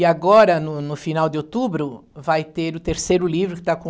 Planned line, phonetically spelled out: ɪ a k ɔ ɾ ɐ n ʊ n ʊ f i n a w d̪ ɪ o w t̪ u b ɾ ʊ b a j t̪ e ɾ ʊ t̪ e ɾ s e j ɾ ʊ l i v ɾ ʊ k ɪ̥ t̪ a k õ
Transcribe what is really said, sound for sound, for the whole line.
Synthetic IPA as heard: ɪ a ɡ ɔ ɾ ɐ n ʊ n ʊ f i n a w d̪ ɪ o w t̪ u b ɾ ʊ v a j t̪ e ɾ ʊ t̪ e ɾ s e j ɾ ʊ l i v ɾ ʊ k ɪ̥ t̪ a k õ